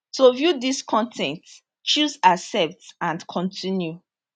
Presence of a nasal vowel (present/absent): present